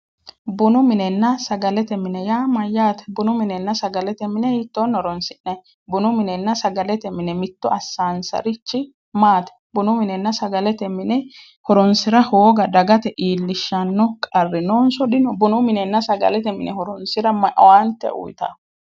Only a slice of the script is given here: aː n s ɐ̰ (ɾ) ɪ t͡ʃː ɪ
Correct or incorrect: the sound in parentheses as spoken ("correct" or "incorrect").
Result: correct